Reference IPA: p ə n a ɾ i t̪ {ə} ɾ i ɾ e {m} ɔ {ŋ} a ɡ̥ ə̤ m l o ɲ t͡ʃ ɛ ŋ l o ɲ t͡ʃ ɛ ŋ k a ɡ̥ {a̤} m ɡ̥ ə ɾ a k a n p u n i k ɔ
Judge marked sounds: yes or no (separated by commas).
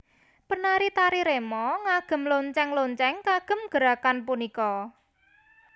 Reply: no, yes, yes, no